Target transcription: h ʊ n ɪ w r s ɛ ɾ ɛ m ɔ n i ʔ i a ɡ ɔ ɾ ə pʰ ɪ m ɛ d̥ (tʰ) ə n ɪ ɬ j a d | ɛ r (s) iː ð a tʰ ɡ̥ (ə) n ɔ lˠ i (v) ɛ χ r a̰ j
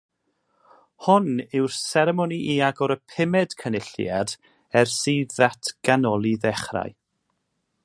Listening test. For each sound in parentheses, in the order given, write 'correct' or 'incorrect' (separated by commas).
incorrect, correct, incorrect, incorrect